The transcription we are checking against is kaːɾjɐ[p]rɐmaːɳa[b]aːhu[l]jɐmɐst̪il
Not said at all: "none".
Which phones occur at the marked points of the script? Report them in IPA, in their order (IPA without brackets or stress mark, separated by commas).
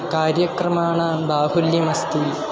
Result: k, b, l